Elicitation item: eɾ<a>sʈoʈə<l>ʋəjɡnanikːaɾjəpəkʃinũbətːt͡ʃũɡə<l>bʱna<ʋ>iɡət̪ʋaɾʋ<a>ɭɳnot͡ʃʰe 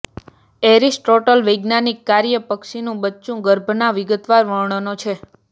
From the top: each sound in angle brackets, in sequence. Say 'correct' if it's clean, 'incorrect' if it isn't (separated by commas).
incorrect, correct, incorrect, correct, incorrect